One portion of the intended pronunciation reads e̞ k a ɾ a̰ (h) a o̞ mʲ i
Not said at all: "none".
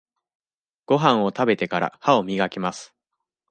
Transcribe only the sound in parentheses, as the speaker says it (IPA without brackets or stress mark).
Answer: h